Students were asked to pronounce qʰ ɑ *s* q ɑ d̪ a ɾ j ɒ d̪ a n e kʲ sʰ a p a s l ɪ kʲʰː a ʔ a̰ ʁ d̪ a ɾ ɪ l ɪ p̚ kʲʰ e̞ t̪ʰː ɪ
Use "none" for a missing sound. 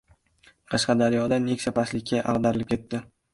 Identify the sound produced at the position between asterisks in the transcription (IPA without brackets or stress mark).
ʃ